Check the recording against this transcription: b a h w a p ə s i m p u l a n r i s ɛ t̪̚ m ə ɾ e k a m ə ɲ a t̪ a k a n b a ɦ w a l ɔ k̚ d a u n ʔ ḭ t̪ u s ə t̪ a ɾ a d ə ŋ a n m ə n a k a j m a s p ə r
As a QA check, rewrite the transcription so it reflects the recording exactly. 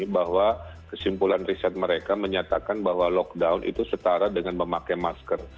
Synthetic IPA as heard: b a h w a k ə s i m p u l a n r i s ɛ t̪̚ m ə ɾ e k a m ə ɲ a t̪ a k a n b a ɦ w a l ɔ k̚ d a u n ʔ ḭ t̪ u s ə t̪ a ɾ a d ə ŋ a n m ə m a k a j m a s k ə r